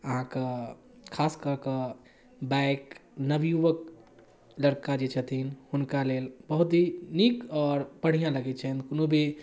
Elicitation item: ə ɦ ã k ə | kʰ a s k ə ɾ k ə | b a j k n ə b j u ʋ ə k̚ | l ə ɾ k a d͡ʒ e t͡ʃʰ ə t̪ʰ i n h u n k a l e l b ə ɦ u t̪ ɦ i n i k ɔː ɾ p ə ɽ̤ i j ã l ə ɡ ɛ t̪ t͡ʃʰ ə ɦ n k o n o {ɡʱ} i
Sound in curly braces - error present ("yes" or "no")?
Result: yes